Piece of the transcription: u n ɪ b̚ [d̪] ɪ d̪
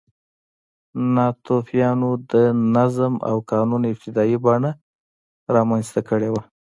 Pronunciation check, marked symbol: incorrect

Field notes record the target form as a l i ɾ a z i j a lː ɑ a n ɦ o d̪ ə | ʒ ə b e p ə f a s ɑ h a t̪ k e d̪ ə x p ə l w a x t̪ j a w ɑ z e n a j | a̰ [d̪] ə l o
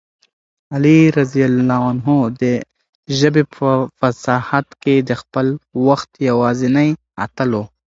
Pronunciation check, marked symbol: incorrect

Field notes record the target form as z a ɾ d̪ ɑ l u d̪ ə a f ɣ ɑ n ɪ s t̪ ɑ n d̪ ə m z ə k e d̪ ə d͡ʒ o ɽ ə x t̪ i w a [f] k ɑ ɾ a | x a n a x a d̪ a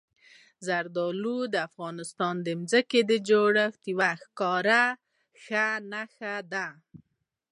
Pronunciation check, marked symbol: incorrect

